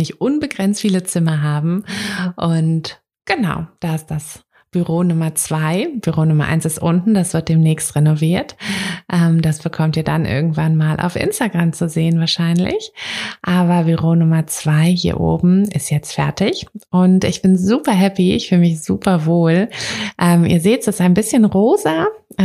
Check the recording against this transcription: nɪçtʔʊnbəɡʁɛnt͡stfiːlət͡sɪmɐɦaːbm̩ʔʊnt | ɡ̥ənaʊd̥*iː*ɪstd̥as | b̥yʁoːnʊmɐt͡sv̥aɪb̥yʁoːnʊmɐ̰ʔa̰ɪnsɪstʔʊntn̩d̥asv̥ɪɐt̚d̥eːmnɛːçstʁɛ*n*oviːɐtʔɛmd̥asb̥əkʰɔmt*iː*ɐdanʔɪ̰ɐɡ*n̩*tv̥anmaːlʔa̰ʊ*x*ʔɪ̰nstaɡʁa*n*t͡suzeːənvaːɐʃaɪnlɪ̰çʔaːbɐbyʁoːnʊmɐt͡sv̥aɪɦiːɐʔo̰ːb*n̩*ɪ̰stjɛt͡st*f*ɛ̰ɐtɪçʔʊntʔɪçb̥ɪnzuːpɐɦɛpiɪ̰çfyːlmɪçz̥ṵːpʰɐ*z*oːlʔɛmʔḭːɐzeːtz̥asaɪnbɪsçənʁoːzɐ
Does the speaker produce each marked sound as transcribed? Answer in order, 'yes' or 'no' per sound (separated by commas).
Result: no, yes, yes, no, no, no, no, yes, no